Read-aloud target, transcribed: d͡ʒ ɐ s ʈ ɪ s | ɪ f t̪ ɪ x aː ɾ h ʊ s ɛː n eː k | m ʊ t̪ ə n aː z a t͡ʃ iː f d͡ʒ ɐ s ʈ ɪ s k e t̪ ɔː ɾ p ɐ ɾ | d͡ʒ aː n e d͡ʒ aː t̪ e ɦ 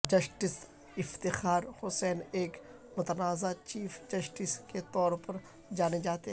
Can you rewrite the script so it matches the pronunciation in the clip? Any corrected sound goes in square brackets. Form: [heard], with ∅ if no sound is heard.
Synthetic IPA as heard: d͡ʒ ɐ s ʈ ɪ s | ɪ f t̪ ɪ x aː ɾ h ʊ s ɛː n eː k | m ʊ t̪ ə n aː z a t͡ʃ iː f d͡ʒ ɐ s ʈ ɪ s k e t̪ ɔː ɾ p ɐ ɾ | d͡ʒ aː n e d͡ʒ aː t̪ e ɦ

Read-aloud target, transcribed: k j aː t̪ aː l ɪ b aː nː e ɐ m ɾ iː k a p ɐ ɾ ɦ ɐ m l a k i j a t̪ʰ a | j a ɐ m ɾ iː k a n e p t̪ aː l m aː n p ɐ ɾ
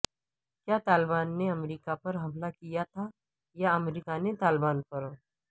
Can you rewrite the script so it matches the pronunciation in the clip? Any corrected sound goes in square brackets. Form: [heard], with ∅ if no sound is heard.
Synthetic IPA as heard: k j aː t̪ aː l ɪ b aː nː e ɐ m ɾ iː k a p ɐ ɾ ɦ ɐ m l a k i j a t̪ʰ a | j a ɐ m ɾ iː k a n e [∅] t̪ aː l [b] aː n p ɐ ɾ

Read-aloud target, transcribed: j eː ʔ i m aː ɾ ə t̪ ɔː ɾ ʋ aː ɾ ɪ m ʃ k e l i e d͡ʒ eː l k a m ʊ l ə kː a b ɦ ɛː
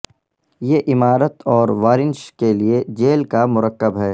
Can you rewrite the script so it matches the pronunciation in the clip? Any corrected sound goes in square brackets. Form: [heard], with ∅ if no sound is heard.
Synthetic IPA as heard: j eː ʔ [ɪ] m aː ɾ ə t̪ ɔː ɾ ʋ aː ɾ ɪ [n] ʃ k e l i e d͡ʒ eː l k a m ʊ [ɾ] ə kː [ə] b ɦ ɛː

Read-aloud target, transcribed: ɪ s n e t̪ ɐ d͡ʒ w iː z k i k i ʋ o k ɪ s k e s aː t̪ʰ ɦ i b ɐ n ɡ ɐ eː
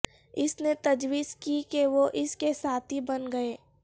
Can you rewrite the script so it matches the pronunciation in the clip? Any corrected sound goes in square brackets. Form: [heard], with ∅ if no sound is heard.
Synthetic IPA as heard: ɪ s n e t̪ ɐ d͡ʒ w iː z k i k [e] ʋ o [ʔ] ɪ s k e s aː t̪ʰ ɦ i b ɐ n ɡ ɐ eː

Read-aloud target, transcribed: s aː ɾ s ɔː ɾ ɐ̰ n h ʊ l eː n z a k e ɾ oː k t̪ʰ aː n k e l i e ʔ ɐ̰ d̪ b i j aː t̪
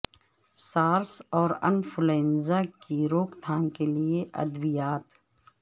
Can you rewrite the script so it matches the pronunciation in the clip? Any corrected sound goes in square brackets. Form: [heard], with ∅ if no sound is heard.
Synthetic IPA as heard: s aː ɾ s ɔː ɾ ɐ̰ n [f] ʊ l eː n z a k [i] ɾ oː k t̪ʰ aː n k e l i e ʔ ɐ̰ d̪ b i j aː t̪

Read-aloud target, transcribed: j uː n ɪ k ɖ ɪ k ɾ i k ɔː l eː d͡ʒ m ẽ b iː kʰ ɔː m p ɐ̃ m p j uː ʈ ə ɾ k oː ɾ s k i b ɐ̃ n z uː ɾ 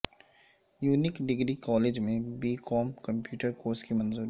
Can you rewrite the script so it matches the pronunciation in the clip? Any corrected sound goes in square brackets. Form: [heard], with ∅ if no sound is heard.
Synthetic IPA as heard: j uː n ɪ k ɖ ɪ [ɡ] ɾ i k ɔː l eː d͡ʒ m ẽ b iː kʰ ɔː m [k] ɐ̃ m p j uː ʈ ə ɾ k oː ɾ s k i [m] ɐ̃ n z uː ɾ

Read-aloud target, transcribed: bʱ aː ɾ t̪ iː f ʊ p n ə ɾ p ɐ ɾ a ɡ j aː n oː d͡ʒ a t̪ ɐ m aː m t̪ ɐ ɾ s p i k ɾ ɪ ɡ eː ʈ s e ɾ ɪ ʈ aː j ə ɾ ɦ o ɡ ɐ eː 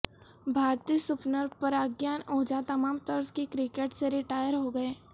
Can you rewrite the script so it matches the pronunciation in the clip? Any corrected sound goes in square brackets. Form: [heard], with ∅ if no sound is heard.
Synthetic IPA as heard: bʱ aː ɾ t̪ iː [s] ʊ p n ə ɾ p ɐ ɾ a ɡ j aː n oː d͡ʒ a t̪ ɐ m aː m t̪ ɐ ɾ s [k] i k ɾ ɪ [k] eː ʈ s e ɾ ɪ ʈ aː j ə ɾ ɦ o ɡ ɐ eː

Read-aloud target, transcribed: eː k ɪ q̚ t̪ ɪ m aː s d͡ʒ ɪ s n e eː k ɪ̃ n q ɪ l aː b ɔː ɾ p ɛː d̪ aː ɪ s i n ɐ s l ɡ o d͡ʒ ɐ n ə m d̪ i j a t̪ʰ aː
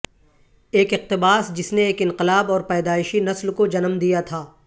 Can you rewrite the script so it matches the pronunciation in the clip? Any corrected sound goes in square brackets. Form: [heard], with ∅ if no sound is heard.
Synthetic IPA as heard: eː k ɪ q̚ t̪ ɪ [b] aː s d͡ʒ ɪ s n e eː k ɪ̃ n q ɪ l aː b ɔː ɾ p ɛː d̪ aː ɪ [ʃ] i n ɐ s l [k] o d͡ʒ ɐ n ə m d̪ i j a t̪ʰ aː

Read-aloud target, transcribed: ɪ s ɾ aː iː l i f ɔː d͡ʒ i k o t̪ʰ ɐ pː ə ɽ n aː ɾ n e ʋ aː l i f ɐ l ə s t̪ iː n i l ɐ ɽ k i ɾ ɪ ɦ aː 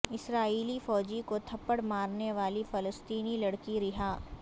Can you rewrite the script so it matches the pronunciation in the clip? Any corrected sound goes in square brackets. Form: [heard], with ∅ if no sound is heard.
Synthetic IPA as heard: ɪ s ɾ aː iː l i f ɔː d͡ʒ i k o t̪ʰ ɐ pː ə ɽ [m] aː ɾ n e ʋ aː l i f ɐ l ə s t̪ iː n i l ɐ ɽ k i ɾ ɪ ɦ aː

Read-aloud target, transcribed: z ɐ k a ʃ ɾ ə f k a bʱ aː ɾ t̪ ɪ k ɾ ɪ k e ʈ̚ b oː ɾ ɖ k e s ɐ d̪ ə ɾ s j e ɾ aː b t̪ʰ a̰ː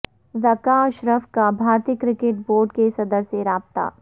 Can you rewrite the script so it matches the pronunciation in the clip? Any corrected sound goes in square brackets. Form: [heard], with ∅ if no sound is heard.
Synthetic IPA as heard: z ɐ k a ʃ ɾ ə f k a bʱ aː ɾ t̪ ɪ k ɾ ɪ k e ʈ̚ b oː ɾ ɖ k e s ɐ d̪ ə ɾ s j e ɾ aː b [t̪] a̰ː

